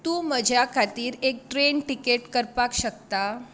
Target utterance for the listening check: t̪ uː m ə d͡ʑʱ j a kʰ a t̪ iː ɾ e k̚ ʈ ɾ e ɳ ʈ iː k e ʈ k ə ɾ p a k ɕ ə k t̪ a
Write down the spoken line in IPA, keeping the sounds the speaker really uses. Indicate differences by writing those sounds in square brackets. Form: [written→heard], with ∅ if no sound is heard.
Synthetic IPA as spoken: t̪ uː m ə d͡ʑʱ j a kʰ a t̪ iː ɾ e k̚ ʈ ɾ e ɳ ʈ [iː→i] k e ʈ k ə ɾ p a k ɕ ə k t̪ a

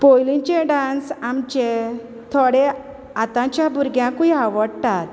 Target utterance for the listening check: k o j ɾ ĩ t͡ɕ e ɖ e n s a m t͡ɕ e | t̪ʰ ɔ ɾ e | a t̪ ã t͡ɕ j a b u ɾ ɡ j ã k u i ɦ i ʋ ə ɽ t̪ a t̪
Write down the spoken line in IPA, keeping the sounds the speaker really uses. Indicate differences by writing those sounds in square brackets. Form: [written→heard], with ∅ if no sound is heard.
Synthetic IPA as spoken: [k→p] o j [ɾ→l] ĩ t͡ɕ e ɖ [e→a] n s a m t͡ɕ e | t̪ʰ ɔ [ɾ→ɽ] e | a t̪ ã t͡ɕ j a b u ɾ ɡ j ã k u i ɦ [i→a] ʋ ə ɽ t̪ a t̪

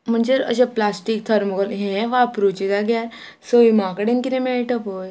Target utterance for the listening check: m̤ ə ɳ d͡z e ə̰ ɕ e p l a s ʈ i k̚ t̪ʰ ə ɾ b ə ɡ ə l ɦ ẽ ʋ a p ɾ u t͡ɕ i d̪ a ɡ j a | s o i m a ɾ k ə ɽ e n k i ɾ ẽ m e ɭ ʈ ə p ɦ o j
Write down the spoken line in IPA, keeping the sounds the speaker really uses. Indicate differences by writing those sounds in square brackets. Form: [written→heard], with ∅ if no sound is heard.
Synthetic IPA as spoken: m̤ ə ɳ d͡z e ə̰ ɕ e p l a s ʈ i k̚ t̪ʰ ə ɾ [b→m] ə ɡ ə l ɦ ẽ ʋ a p ɾ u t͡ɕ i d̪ a ɡ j a | s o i m a [ɾ→∅] k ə ɽ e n k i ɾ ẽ m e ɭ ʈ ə p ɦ o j

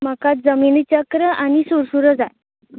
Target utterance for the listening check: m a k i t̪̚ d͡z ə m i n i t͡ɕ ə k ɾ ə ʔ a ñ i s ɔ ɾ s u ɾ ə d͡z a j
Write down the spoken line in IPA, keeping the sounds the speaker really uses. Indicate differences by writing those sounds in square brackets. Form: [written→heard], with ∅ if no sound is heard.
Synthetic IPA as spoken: m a k [i→a] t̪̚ d͡z ə m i n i t͡ɕ ə k ɾ ə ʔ a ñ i s [ɔ→u] ɾ s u ɾ ə d͡z a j

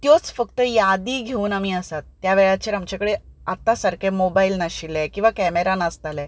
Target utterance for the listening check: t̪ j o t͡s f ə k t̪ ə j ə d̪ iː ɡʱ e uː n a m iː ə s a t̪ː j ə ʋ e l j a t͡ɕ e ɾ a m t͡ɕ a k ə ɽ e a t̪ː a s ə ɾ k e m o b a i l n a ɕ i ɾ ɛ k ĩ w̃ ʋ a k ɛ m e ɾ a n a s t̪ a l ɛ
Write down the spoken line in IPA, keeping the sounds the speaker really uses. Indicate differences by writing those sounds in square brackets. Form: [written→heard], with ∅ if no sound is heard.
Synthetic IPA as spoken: t̪ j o t͡s f ə k t̪ ə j [ə→a] d̪ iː ɡʱ e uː n a m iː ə s a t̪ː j [ə→a] ʋ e [l→ɭ] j a t͡ɕ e ɾ a m t͡ɕ a k ə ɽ e a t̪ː a s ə ɾ k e m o b a i l n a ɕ i [ɾ→l] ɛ k ĩ w̃ ʋ a k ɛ m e ɾ a n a s t̪ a l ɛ

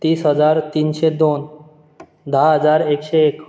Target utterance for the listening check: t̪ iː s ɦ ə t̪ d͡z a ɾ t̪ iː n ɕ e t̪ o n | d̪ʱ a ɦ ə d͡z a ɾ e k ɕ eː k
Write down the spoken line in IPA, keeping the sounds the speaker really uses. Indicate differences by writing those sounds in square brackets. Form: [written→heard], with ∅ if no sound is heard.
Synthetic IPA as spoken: t̪ iː s ɦ ə [t̪→∅] d͡z a ɾ t̪ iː n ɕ e [t̪→d̪] o n | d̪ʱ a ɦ ə d͡z a ɾ e k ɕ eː k

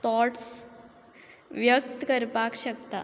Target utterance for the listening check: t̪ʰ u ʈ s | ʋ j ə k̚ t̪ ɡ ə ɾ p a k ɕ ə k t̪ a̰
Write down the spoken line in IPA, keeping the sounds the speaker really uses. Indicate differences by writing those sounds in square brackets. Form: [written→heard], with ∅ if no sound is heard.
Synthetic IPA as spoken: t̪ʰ [u→ɔ] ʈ s | ʋ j ə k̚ t̪ [ɡ→k] ə ɾ p a k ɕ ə k t̪ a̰

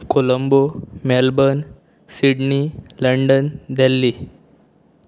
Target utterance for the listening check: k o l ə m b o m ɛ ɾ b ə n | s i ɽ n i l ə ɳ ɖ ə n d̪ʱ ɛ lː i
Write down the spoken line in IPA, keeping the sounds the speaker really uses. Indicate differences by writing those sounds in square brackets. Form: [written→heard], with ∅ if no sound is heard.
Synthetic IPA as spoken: k o l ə m b o m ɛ [ɾ→l] b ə n | s i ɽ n i l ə ɳ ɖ ə n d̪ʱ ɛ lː i

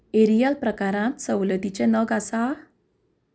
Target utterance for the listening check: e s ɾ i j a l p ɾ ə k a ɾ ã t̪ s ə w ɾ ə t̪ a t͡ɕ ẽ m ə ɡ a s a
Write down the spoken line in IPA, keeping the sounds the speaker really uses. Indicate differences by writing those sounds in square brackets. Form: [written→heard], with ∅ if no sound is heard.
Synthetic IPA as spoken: e [s→∅] ɾ i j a l p ɾ ə k a ɾ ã t̪ s ə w [ɾ→l] ə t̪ [a→i] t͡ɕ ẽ [m→n] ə ɡ a s a

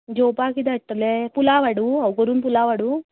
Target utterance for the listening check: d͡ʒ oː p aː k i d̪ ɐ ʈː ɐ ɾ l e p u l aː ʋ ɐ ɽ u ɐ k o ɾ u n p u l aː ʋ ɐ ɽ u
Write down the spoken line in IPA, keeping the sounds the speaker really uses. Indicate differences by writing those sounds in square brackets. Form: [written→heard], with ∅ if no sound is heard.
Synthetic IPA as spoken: d͡ʒ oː p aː k i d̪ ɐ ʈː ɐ [ɾ→∅] l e p u l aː ʋ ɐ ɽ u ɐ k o ɾ u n p u l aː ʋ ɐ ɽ u

